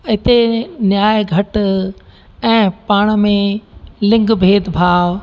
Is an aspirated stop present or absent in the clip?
absent